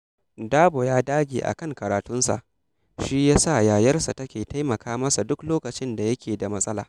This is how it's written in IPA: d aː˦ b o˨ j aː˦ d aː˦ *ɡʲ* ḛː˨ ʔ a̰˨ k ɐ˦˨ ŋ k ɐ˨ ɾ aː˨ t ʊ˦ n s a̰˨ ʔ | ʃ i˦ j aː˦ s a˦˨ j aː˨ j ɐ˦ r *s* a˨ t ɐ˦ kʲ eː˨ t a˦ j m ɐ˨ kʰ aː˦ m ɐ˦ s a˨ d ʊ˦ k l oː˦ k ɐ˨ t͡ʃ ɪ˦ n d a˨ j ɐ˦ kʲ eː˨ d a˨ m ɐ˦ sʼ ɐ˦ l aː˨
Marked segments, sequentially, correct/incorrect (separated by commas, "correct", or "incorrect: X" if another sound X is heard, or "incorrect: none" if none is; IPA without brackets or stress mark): correct, correct